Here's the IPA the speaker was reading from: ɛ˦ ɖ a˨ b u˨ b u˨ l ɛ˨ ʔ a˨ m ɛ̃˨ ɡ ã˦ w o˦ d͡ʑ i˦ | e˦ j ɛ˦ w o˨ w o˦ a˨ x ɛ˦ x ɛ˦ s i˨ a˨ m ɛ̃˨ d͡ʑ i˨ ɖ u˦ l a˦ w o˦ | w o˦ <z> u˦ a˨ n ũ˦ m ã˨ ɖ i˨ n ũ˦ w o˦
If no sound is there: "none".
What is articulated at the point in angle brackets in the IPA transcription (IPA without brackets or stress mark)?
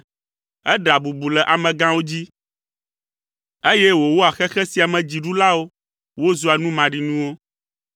z